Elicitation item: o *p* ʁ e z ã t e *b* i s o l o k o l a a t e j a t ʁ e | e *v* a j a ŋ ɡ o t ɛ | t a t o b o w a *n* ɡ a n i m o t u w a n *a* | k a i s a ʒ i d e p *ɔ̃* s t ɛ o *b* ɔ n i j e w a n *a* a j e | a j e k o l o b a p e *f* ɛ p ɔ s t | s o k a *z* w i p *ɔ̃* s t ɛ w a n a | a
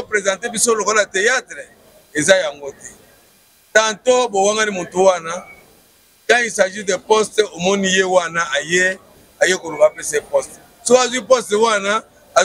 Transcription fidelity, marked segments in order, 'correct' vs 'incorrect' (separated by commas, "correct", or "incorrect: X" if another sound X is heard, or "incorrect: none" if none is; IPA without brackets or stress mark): correct, correct, incorrect: z, incorrect: ŋ, correct, incorrect: ɔ, incorrect: m, correct, incorrect: s, correct, incorrect: ɔ